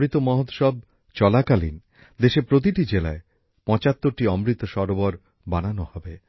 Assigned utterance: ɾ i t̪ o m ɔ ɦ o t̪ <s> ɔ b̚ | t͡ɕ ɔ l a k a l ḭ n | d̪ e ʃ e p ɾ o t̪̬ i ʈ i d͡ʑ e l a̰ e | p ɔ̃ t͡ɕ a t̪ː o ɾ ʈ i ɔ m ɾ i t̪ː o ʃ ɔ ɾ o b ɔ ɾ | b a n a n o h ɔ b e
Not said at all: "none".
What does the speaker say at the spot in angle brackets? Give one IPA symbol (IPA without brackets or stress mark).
ʃ